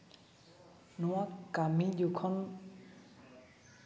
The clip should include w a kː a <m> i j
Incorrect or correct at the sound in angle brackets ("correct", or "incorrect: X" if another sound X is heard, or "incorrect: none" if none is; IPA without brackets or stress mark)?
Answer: correct